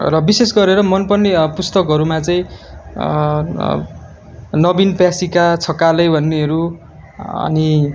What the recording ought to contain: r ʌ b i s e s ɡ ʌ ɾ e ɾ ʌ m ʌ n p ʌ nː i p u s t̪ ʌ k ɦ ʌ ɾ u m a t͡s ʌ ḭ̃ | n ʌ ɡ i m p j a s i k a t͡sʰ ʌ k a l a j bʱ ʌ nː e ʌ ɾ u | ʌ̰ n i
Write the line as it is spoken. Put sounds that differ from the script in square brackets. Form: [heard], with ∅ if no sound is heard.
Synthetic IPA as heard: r ʌ b i s e s ɡ ʌ ɾ e ɾ ʌ m ʌ n p ʌ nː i p u s t̪ ʌ k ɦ ʌ ɾ u m a t͡s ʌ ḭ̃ | n ʌ [b] i [n] p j a s i k a t͡sʰ ʌ k a l [ʌ] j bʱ ʌ nː e ʌ ɾ u | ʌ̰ n i

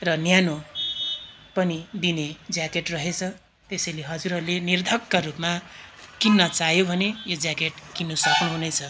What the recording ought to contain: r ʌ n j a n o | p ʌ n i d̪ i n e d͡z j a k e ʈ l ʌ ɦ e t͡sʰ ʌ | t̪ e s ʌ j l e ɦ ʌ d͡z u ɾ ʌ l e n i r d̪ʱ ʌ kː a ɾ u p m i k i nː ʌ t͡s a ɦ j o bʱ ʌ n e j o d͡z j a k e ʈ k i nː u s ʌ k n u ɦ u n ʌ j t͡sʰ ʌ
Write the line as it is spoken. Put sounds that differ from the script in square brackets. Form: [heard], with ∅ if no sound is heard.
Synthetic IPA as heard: r ʌ n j a n o | p ʌ n i d̪ i n e d͡z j a k e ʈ [r] ʌ ɦ e t͡sʰ ʌ | t̪ e s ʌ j l e ɦ ʌ d͡z u ɾ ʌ l e n i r d̪ʱ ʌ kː a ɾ u p m [a] k i nː ʌ t͡s a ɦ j o bʱ ʌ n e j o d͡z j a k e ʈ k i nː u s ʌ k n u ɦ u n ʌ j t͡sʰ ʌ

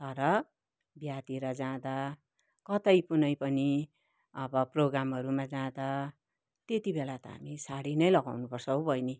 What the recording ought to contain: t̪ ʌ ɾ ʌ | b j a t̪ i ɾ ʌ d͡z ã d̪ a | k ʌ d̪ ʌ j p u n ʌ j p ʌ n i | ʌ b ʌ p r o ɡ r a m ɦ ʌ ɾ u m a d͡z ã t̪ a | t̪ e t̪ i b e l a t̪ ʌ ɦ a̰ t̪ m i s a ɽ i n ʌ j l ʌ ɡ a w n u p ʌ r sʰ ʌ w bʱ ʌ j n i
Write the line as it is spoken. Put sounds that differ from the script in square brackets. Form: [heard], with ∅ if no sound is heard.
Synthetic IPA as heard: t̪ ʌ ɾ ʌ | b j a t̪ i ɾ ʌ d͡z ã d̪ a | k ʌ [t̪] ʌ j p u n ʌ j p ʌ n i | ʌ b ʌ p r o ɡ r a m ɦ ʌ ɾ u m a d͡z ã [d̪] a | t̪ e t̪ i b e l a t̪ ʌ ɦ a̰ [∅] m i s a ɽ i n ʌ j l ʌ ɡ a w n u p ʌ r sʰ ʌ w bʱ ʌ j n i

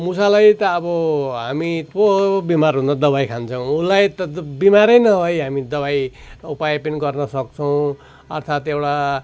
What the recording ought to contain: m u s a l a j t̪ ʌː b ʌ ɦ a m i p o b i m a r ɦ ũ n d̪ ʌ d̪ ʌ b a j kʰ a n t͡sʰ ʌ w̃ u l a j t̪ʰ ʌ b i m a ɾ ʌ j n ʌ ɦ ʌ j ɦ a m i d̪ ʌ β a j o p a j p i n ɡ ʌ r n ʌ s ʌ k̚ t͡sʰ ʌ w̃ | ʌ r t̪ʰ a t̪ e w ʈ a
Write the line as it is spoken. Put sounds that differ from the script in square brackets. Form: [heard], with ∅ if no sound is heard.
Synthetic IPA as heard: m u s a l a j t̪ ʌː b ʌ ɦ a m i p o b i m a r ɦ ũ n d̪ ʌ d̪ ʌ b a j kʰ a n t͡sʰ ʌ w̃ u l a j [t̪] ʌ b i m a ɾ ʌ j n ʌ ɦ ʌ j ɦ a m i d̪ ʌ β a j [u] p a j p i n ɡ ʌ r n ʌ s ʌ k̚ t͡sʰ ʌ w̃ | ʌ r t̪ʰ a t̪ e w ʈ a

